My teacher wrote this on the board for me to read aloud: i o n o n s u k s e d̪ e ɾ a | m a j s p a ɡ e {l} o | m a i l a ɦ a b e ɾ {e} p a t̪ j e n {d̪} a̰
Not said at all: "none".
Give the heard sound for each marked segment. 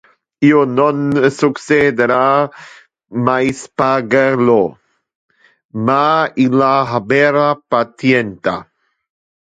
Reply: l, a, t̪

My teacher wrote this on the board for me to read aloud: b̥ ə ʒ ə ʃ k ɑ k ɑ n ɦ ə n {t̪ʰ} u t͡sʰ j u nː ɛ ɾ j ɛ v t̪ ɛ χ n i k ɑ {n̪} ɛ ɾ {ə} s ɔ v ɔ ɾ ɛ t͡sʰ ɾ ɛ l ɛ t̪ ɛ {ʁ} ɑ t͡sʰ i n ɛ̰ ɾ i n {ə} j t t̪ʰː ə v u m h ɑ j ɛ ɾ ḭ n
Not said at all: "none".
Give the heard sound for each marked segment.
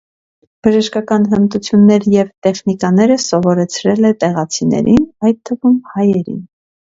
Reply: t̪, n̪, ə, ʁ, ɑ

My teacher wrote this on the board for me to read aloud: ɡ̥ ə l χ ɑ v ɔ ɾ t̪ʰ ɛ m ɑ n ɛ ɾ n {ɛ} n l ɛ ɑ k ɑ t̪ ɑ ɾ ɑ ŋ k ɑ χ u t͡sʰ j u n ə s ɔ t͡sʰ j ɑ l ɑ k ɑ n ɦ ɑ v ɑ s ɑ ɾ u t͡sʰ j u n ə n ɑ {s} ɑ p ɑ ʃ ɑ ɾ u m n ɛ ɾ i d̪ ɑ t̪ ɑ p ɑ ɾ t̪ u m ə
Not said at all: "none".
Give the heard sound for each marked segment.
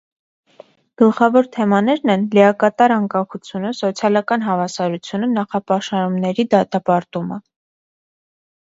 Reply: ɛ, χ

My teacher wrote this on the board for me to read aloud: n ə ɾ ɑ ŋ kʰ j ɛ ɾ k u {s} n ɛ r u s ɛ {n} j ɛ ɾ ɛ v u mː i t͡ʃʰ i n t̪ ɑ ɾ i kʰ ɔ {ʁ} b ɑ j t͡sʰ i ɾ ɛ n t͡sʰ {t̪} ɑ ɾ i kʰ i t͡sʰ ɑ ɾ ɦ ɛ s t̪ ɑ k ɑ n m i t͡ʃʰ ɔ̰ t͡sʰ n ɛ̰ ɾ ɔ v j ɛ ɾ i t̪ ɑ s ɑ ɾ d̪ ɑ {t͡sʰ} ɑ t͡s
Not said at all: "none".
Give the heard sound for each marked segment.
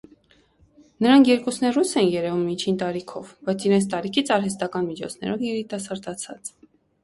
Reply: s, n, v, t̪, t͡sʰ

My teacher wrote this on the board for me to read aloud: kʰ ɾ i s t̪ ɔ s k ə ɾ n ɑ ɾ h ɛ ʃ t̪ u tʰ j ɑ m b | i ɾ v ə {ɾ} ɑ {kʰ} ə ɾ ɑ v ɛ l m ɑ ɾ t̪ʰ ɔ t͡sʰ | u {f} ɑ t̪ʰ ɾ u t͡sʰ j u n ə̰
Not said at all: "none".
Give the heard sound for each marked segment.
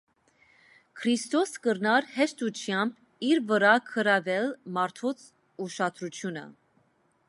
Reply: ɾ, kʰ, ʃ

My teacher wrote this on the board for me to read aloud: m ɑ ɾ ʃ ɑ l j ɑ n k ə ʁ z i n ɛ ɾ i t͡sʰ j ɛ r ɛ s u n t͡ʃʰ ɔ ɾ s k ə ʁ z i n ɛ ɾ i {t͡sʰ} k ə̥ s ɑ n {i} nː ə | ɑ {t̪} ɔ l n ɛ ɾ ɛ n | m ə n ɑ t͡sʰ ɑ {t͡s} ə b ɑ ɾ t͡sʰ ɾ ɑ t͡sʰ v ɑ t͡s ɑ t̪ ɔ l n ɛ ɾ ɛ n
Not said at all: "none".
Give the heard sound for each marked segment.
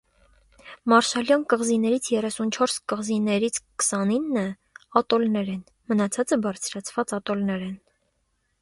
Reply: t͡sʰ, i, t̪, t͡s

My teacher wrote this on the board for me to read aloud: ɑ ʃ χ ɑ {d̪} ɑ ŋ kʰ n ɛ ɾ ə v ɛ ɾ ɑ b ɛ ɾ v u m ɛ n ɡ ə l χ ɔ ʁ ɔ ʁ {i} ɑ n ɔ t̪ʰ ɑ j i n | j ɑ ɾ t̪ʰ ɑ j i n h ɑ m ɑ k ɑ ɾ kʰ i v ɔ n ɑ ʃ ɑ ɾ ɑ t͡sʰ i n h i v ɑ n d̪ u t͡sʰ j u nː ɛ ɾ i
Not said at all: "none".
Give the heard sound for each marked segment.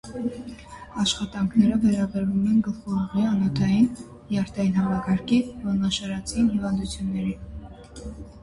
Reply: t̪, i

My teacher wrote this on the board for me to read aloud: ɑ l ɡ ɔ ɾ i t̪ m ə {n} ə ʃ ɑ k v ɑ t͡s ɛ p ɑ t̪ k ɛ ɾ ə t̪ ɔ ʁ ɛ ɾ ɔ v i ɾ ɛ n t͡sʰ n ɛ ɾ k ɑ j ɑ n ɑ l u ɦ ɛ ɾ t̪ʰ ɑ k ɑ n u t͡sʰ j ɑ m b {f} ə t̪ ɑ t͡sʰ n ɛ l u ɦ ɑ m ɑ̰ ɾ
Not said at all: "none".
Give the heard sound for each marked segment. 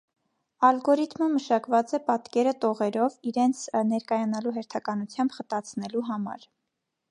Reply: m, χ

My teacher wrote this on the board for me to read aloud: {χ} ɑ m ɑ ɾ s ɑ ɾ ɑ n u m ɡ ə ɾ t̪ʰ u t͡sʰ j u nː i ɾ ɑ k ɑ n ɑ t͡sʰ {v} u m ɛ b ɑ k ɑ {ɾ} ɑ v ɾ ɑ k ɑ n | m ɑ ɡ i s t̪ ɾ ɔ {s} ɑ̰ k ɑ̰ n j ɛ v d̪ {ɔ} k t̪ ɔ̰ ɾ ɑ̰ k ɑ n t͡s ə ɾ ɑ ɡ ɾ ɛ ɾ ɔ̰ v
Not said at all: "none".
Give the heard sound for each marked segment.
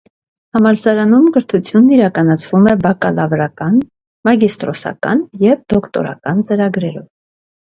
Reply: h, v, l, s, ɔ

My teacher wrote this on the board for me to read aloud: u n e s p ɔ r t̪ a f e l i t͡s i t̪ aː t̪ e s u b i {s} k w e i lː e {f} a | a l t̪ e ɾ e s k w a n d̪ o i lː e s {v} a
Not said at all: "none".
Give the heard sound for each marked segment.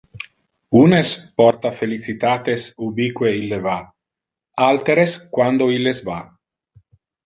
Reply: none, v, v

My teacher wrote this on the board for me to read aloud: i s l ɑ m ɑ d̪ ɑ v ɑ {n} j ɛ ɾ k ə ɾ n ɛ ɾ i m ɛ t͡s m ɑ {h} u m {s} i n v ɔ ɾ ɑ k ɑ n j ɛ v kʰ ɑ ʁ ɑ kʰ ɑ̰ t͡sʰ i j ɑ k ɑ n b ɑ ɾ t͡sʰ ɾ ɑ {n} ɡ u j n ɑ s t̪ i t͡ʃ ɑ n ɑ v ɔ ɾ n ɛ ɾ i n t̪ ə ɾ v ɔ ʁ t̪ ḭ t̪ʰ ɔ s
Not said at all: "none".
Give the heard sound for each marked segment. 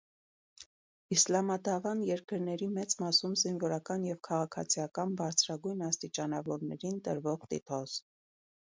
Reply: n, s, z, none

